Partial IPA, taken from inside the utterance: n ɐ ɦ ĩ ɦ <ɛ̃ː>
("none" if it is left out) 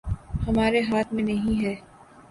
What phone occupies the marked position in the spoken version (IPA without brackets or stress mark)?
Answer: ɛː